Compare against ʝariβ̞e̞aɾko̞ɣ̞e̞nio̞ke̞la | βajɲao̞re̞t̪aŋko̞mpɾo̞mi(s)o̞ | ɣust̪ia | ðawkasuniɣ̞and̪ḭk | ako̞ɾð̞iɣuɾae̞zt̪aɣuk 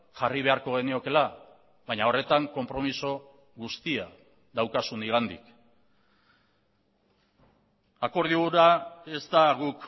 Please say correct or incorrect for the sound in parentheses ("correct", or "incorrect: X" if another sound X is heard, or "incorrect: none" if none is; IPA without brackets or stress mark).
correct